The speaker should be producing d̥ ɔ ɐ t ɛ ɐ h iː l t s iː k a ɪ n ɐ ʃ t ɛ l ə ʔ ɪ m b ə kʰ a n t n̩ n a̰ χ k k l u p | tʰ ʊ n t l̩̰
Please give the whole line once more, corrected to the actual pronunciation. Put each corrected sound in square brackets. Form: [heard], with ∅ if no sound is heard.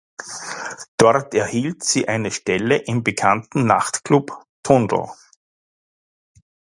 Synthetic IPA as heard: d̥ ɔ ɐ t ɛ ɐ h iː l t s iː [ʔ] a ɪ n [ə] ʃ t ɛ l ə ʔ ɪ m b ə kʰ a n t n̩ n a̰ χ [t] k l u p | tʰ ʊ n [d] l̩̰